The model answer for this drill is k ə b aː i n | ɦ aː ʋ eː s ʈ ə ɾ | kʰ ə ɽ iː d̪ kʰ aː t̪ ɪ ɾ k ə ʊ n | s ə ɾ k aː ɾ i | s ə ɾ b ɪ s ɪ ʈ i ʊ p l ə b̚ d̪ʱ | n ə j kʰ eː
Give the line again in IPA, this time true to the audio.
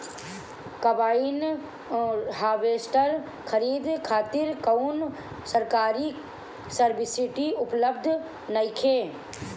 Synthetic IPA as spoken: k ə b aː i n | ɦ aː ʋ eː s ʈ ə ɾ | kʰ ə ɾ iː d̪ kʰ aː t̪ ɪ ɾ k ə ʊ n | s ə ɾ k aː ɾ i | s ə ɾ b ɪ s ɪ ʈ i ʊ p l ə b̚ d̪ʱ | n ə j kʰ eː